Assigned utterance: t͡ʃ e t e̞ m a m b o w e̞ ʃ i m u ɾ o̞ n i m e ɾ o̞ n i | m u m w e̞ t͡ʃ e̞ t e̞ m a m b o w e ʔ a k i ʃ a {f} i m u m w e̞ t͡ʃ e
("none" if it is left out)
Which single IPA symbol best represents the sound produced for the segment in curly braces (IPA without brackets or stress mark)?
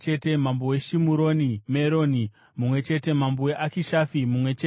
f